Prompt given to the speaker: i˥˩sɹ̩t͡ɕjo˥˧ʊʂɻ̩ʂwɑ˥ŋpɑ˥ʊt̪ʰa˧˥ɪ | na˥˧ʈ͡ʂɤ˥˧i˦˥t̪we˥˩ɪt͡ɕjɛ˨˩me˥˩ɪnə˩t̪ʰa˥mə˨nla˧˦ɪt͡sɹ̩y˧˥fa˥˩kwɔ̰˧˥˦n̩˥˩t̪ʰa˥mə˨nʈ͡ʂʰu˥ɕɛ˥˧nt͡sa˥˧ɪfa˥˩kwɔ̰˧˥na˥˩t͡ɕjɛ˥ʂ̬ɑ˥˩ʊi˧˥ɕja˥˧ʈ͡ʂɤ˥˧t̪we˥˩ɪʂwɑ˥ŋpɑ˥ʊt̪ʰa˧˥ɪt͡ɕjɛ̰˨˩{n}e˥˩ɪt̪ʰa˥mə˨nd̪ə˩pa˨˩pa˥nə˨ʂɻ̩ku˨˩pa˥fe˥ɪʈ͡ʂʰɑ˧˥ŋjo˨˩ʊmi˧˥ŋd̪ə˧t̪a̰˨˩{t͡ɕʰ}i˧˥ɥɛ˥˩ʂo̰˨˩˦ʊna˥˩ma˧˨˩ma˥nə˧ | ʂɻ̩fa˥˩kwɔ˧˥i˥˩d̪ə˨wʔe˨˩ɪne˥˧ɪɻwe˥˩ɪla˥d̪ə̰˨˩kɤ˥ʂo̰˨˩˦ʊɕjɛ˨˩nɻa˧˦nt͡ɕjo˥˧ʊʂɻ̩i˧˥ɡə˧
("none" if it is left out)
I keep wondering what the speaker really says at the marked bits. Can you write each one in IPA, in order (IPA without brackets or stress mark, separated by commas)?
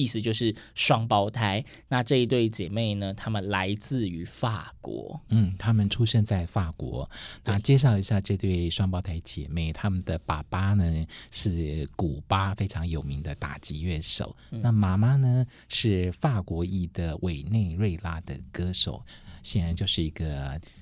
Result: m, t͡ɕ